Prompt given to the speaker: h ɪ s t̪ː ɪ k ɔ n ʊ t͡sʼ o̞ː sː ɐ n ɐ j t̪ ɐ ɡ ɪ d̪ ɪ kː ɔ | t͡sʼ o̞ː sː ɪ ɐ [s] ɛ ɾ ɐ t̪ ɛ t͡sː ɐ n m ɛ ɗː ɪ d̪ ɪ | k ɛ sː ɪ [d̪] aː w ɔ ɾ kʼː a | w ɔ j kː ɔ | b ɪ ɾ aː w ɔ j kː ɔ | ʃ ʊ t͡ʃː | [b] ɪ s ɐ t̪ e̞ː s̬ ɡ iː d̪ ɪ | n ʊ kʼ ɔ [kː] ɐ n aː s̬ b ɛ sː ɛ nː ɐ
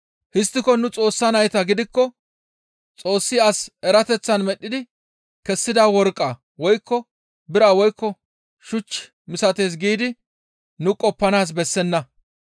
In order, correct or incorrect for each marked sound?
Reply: correct, correct, incorrect, incorrect

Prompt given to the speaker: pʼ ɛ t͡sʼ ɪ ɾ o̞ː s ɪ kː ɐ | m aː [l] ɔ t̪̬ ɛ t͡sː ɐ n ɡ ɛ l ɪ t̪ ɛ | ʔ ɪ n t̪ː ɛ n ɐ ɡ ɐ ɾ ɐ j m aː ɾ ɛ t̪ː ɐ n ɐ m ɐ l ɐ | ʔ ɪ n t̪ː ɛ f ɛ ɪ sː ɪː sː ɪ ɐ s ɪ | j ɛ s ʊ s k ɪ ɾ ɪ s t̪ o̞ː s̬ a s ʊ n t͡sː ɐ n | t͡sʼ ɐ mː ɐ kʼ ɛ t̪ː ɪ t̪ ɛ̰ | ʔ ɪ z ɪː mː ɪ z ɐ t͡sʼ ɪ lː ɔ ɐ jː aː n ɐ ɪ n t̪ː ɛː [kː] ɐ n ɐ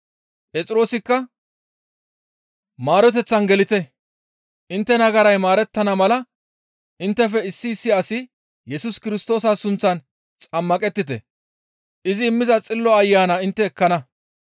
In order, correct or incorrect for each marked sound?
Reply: incorrect, correct

